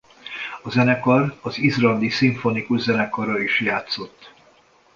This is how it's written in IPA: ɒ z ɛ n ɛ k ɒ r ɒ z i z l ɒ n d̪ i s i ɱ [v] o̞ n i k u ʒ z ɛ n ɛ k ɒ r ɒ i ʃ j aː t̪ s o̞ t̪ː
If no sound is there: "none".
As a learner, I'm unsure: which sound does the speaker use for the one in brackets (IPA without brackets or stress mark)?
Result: f